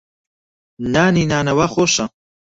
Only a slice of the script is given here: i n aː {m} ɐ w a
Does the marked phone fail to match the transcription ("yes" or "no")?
yes